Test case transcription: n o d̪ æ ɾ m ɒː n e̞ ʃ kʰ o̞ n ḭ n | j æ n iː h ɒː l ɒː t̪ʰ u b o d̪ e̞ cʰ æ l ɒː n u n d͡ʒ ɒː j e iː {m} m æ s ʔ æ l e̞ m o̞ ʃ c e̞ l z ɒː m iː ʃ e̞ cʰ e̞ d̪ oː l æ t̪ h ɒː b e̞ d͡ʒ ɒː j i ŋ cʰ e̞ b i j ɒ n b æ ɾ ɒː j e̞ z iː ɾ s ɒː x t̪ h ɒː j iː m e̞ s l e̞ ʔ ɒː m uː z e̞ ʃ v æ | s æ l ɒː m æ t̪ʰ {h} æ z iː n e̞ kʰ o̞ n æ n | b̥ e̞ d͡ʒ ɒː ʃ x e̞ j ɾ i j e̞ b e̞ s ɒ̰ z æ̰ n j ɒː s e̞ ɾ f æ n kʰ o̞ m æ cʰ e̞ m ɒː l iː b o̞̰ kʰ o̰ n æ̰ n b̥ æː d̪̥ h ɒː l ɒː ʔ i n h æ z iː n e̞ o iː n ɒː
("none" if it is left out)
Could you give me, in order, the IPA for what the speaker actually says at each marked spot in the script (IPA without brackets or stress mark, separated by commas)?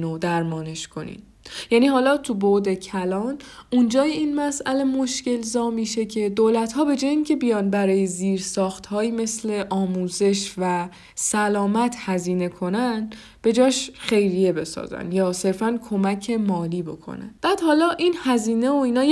n, h